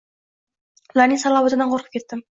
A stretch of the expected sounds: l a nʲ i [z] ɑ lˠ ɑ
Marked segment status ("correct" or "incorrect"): incorrect